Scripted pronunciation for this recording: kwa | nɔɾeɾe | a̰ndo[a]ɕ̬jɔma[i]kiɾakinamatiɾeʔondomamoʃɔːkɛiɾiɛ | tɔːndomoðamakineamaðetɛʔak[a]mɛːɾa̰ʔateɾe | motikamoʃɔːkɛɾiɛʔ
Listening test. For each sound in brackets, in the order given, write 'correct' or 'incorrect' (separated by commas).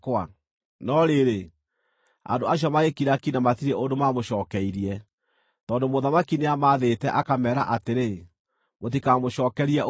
correct, incorrect, correct